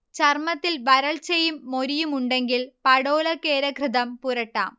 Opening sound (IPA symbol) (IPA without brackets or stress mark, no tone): t͡ɕ